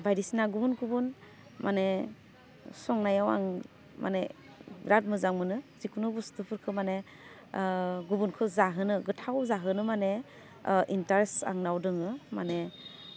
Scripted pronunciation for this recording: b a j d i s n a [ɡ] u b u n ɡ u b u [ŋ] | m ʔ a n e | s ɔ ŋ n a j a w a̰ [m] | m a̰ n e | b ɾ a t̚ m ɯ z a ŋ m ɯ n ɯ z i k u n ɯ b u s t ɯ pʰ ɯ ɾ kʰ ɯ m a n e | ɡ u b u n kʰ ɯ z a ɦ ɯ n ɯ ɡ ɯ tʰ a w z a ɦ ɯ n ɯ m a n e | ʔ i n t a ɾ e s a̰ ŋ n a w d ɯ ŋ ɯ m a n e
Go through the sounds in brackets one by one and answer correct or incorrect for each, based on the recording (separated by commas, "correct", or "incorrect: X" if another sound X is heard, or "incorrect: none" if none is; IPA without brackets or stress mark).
correct, incorrect: n, incorrect: ŋ